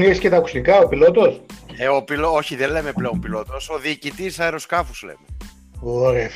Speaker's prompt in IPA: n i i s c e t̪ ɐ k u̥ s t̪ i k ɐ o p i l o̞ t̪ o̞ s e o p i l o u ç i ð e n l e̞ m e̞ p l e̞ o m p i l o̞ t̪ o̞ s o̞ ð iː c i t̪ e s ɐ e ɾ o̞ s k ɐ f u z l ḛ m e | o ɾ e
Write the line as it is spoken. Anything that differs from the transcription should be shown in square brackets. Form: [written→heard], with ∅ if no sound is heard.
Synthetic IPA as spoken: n i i s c e t̪ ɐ k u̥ s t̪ i k ɐ o p i l o̞ t̪ o̞ s e o p i l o [u→o] ç i ð e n l e̞ m e̞ p l e̞ o m p i l o̞ t̪ o̞ s o̞ ð iː c i t̪ [e→i] s ɐ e ɾ o̞ s k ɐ f u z l ḛ m e | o ɾ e